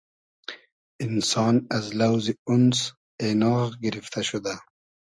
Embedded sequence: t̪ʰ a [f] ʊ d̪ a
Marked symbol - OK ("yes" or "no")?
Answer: no